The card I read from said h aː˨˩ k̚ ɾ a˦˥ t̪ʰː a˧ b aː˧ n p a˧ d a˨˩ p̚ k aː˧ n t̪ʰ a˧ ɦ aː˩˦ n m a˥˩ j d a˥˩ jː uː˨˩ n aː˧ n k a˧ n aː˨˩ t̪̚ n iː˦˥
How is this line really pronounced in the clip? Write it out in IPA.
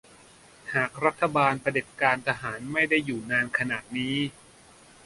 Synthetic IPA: h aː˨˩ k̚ ɾ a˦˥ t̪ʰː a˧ b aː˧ n p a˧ d e˨˩ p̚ k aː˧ n t̪ʰ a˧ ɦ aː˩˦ n m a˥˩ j d a˥˩ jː uː˨˩ n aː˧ n kʰ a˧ n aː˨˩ t̪̚ n iː˦˥